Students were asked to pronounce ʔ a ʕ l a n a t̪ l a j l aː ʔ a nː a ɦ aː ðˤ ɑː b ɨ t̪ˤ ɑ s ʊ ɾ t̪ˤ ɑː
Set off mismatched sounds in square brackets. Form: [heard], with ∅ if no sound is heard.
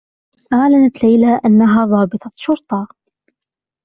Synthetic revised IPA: ʔ a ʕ l a n a t̪ l a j l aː ʔ a nː a ɦ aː ðˤ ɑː b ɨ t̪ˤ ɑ [ʃ] ʊ ɾ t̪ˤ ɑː